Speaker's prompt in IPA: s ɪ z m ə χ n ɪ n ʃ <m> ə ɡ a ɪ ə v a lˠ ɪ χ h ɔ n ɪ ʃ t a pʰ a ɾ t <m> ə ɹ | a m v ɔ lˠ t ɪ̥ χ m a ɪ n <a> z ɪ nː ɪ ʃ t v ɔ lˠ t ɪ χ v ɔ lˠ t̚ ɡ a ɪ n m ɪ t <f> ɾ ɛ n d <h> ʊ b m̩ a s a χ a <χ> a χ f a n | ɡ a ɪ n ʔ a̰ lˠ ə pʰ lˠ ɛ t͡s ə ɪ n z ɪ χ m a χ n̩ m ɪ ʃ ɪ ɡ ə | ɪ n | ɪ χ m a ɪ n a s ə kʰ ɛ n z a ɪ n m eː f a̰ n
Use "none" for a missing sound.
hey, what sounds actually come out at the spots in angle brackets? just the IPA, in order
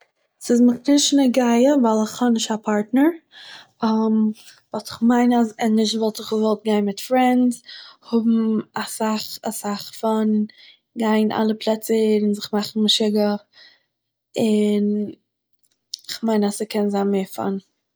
n, n, a, f, h, s

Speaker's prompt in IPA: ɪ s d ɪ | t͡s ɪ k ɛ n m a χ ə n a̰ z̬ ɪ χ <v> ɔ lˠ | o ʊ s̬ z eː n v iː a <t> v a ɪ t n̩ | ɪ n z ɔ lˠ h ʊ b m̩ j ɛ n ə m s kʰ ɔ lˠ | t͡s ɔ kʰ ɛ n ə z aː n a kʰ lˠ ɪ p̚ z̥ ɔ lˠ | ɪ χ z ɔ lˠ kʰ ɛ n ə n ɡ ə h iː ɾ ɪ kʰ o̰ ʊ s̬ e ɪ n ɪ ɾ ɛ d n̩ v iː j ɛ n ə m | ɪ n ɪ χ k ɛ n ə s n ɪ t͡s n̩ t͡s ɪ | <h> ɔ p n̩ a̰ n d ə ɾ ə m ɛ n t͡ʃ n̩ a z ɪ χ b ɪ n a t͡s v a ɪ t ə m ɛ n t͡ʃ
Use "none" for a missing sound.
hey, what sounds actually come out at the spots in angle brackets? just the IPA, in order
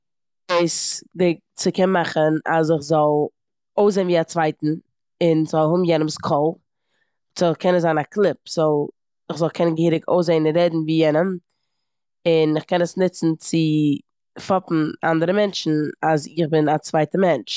z, t͡s, f

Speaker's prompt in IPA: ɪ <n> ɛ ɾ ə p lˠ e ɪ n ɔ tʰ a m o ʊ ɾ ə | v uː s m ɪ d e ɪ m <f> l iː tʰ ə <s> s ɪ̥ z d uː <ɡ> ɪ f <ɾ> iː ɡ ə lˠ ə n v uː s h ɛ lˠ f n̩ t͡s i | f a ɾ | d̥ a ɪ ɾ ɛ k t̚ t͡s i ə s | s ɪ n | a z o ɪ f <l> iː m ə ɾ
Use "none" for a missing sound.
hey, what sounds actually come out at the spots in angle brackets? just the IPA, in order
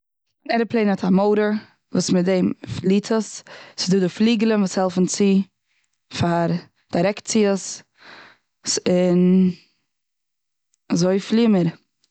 n, f, s, d, l, l

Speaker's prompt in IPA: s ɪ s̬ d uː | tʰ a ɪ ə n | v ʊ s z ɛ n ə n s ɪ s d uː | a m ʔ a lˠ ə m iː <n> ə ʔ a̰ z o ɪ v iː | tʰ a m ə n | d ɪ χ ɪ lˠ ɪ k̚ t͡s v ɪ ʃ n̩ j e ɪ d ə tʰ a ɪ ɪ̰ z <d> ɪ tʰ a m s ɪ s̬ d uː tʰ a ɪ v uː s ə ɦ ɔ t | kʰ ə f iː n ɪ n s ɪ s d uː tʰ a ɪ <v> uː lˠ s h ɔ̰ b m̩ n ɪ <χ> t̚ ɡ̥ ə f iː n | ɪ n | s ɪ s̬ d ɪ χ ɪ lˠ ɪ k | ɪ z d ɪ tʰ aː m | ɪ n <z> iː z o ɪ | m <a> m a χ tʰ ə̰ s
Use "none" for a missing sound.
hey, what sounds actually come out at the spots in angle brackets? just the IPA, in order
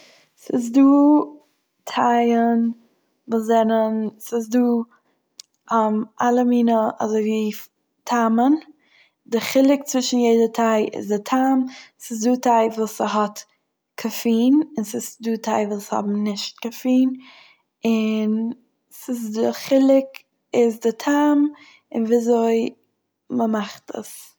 n, d, v, ʃ, v, ə

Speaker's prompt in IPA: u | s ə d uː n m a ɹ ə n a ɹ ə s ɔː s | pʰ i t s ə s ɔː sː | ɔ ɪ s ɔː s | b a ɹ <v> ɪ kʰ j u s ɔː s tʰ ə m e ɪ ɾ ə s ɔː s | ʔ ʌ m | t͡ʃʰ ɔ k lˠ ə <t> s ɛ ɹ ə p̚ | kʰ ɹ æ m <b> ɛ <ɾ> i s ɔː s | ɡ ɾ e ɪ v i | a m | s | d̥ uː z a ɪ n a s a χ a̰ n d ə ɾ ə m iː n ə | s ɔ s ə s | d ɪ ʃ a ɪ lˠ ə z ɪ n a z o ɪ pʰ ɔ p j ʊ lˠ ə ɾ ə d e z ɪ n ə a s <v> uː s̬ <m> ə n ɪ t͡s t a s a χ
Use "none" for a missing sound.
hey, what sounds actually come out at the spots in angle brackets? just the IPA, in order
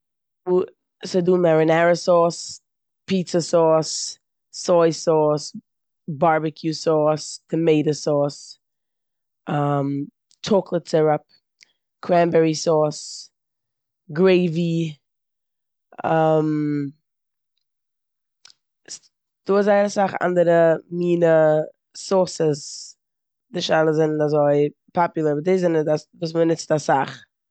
b, t, b, ɹ, v, m

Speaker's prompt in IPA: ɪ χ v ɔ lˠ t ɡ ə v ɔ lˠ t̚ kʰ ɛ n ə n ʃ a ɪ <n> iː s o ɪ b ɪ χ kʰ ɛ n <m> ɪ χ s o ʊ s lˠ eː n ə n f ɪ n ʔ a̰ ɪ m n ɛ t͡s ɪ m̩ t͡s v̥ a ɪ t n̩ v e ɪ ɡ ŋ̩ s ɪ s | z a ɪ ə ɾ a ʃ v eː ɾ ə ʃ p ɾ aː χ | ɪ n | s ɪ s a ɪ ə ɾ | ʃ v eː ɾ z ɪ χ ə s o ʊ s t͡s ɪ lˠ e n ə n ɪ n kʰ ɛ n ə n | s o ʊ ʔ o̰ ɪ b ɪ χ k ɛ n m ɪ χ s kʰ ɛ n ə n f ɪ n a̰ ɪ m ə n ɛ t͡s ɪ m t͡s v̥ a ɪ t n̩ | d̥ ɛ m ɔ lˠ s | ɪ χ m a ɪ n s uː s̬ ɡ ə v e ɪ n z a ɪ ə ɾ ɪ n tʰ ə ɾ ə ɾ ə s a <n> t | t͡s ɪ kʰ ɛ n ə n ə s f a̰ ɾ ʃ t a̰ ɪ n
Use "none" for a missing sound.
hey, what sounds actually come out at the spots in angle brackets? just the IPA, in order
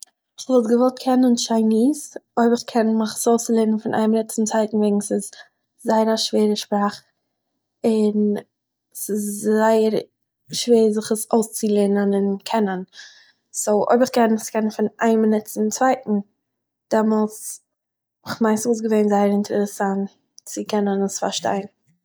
n, m, n

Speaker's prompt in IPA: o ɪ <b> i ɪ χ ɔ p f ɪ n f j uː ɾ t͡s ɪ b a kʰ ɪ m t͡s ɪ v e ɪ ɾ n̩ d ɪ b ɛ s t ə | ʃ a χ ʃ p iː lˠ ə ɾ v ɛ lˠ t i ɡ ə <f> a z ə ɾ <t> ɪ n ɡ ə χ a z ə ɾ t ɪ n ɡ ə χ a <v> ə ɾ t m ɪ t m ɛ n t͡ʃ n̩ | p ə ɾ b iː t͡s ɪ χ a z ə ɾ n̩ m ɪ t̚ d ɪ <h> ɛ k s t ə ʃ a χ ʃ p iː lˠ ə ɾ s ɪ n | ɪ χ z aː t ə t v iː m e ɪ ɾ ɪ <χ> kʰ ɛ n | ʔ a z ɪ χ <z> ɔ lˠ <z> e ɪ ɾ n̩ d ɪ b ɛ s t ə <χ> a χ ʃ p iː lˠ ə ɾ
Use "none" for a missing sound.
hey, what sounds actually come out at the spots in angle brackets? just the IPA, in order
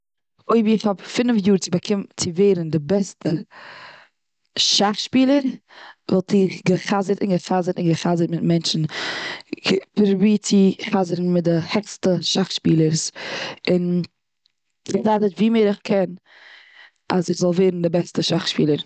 b, χ, t, z, h, χ, z, v, ʃ

